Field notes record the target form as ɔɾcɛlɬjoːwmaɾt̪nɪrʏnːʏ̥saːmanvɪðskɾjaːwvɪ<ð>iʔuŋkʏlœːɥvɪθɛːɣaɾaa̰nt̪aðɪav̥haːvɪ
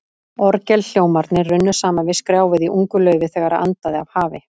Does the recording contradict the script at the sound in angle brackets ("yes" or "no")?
no